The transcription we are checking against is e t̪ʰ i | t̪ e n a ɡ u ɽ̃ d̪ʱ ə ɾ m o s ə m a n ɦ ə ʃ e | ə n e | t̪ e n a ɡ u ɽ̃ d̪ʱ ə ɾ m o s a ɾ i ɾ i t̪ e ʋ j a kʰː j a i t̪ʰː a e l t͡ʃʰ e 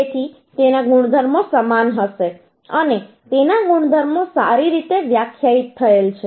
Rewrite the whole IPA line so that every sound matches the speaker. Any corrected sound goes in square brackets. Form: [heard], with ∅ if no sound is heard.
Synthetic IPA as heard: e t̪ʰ i | t̪ e n a ɡ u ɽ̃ d̪ʱ ə ɾ m o s ə m a n ɦ ə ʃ e | ə n e | t̪ e n a ɡ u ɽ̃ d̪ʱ ə ɾ m o s a ɾ i ɾ i t̪ e ʋ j a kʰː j a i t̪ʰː [ə] e l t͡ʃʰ e